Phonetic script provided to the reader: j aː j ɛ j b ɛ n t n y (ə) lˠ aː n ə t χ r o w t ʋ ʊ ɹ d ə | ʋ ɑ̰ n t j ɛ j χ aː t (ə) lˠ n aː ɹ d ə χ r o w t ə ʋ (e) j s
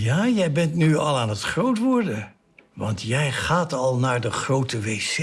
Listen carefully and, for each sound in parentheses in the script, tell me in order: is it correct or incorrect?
incorrect: ɑ, incorrect: ɑ, correct

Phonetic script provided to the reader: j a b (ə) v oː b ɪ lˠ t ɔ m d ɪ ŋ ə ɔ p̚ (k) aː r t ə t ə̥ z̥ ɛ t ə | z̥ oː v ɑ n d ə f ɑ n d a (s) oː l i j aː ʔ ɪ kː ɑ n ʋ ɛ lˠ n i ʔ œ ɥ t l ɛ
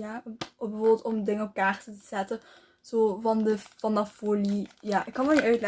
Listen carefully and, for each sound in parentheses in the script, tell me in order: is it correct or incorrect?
correct, correct, incorrect: f

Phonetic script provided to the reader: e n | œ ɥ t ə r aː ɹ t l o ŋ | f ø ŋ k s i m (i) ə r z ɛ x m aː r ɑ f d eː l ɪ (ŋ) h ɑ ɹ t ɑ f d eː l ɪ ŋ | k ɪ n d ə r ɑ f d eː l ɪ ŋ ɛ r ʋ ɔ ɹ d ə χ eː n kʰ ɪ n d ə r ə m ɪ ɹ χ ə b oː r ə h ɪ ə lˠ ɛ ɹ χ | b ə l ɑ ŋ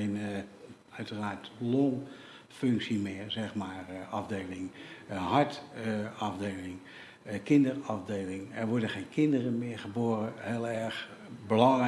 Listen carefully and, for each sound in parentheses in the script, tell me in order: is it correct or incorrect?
incorrect: ɪ, correct

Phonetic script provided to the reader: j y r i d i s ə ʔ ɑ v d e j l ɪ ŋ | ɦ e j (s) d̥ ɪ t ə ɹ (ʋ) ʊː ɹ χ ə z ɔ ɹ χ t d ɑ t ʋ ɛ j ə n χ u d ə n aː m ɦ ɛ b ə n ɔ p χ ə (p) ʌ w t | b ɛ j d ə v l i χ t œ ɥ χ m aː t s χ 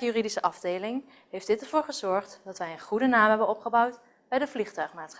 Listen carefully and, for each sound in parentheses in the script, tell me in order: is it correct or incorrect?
incorrect: f, incorrect: v, incorrect: b

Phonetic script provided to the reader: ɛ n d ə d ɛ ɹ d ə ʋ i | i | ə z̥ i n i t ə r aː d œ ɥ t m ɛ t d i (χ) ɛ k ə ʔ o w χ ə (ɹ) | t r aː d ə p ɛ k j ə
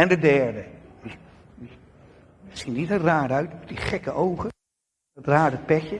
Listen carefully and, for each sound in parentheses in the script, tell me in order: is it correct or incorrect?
correct, incorrect: none

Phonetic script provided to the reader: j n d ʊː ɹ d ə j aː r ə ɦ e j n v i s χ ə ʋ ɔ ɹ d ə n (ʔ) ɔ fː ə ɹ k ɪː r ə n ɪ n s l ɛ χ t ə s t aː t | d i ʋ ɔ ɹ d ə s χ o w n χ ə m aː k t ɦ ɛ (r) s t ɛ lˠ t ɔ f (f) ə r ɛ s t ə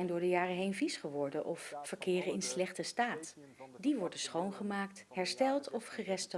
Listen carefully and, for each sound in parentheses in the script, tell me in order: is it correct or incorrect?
correct, incorrect: ɹ, incorrect: χ

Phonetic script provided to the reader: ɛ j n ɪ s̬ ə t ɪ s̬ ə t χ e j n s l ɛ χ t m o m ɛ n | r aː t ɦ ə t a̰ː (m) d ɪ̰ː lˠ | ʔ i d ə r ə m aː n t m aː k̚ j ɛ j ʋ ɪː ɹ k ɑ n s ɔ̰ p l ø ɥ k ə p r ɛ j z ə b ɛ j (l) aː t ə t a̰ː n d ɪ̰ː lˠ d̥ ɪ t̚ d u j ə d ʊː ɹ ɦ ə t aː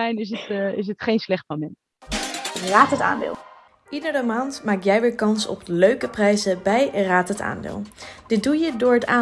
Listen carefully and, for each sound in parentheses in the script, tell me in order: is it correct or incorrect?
incorrect: n, incorrect: r

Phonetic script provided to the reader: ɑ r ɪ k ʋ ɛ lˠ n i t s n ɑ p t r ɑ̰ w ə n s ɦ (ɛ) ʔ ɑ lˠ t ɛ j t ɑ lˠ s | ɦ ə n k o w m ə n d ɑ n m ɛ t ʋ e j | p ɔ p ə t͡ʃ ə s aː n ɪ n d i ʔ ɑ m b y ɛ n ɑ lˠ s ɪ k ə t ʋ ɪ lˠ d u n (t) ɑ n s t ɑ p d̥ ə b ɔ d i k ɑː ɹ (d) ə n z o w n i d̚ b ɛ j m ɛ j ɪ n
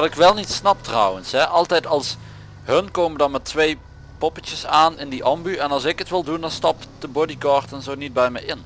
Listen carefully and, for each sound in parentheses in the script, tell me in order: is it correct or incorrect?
correct, incorrect: d, incorrect: t

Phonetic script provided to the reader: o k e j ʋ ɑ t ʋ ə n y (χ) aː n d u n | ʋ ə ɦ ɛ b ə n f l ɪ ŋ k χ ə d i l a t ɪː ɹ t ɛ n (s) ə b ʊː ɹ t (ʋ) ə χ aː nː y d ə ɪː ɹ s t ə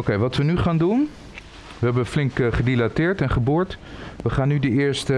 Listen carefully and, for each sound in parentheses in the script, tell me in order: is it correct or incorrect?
correct, incorrect: χ, correct

